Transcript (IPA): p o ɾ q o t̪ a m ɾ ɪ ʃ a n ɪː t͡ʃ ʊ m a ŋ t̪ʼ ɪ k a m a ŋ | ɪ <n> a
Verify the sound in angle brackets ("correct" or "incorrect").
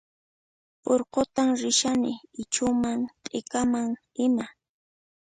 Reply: incorrect